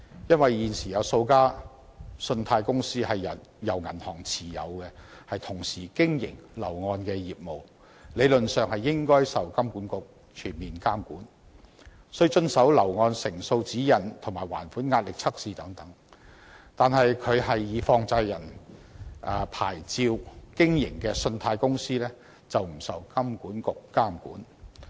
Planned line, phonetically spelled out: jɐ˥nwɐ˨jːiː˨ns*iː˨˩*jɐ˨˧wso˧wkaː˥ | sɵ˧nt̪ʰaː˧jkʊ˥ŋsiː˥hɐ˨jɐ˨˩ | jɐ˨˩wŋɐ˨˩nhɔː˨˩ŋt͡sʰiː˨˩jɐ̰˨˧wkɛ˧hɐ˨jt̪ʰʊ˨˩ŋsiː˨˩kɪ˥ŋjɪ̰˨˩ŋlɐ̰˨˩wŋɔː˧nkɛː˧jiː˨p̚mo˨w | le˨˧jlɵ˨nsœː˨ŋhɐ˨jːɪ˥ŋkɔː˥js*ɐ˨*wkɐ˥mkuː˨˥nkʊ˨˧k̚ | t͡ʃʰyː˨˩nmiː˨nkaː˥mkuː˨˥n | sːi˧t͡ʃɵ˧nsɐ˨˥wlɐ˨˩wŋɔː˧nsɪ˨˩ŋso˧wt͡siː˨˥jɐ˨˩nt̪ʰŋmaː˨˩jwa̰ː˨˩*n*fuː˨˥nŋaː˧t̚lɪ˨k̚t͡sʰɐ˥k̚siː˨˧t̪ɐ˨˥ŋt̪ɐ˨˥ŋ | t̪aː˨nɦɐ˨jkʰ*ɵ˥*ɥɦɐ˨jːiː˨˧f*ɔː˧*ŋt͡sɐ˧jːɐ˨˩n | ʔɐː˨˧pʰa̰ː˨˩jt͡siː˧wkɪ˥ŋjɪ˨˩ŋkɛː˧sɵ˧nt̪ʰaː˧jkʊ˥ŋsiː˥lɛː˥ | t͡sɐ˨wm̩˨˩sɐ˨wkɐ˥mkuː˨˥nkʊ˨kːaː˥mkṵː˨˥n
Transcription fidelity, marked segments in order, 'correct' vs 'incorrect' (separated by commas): correct, correct, correct, incorrect, correct